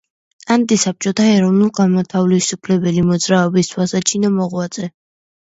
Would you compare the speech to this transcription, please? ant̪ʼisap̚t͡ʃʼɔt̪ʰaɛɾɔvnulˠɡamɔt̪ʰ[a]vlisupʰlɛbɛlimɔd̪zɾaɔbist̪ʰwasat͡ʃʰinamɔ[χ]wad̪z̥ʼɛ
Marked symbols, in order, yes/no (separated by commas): yes, no